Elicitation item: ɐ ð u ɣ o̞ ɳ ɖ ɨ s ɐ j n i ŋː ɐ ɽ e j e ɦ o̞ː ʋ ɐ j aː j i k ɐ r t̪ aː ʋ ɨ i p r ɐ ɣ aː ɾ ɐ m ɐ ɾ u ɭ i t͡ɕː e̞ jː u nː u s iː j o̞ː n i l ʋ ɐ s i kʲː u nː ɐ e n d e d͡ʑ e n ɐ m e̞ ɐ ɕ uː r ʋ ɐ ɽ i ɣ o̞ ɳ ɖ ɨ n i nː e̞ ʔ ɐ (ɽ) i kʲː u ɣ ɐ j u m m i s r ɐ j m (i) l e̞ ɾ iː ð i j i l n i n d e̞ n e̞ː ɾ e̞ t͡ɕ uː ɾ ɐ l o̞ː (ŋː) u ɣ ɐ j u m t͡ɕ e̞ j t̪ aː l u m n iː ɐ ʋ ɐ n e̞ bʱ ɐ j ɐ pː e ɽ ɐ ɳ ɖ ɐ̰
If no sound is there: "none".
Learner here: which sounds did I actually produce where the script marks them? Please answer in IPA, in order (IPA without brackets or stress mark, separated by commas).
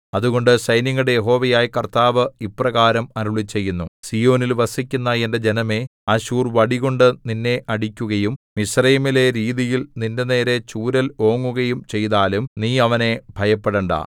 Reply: ɽ, i, ŋː